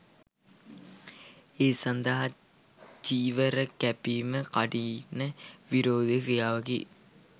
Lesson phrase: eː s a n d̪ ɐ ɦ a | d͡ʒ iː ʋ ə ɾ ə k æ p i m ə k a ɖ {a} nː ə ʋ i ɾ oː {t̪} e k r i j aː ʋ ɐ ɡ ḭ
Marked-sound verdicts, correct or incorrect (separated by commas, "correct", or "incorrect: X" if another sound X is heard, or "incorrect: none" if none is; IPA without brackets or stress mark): incorrect: i, incorrect: d̪